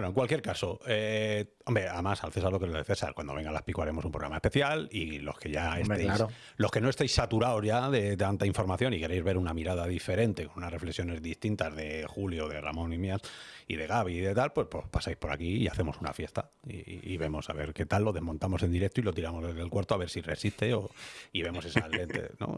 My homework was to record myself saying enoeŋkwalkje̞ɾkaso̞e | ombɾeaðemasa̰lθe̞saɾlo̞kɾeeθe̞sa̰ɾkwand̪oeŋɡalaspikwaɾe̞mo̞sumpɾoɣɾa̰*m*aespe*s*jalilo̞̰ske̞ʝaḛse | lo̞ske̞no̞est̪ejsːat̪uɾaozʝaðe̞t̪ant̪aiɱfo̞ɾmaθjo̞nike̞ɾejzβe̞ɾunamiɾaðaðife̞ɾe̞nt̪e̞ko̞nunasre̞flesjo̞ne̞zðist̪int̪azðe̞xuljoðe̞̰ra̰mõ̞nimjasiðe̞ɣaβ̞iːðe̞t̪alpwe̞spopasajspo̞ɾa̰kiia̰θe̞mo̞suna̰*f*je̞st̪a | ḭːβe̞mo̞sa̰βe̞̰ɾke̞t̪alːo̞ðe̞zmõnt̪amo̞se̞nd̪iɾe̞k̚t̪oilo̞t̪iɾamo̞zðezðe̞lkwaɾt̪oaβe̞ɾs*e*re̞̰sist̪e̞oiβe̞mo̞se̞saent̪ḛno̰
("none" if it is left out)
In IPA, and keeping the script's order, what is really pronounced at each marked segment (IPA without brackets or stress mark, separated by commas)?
m, θ, f, i